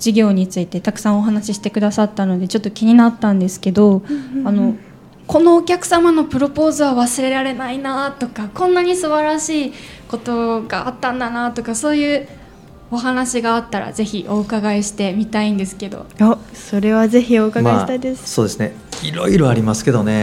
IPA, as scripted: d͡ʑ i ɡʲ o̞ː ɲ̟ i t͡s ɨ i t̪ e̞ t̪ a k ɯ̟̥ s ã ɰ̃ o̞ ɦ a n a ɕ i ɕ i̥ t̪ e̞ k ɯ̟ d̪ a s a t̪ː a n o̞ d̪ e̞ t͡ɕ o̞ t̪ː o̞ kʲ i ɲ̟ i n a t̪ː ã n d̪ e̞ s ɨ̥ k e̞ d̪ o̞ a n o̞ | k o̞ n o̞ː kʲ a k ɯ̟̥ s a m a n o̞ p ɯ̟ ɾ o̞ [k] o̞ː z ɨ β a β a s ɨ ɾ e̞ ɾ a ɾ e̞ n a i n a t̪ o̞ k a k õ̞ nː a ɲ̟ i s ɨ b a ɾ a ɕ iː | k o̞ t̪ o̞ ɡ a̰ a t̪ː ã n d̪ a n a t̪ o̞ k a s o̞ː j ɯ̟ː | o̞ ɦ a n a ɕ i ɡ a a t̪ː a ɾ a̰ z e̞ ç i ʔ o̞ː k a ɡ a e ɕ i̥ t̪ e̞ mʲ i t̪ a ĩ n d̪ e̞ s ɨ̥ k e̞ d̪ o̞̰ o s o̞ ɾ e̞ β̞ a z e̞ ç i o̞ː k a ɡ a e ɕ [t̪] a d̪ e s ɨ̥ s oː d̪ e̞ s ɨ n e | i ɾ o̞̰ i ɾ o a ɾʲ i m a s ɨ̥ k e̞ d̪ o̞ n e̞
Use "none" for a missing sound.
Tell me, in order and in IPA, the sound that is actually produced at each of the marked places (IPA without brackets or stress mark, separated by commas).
p, t̪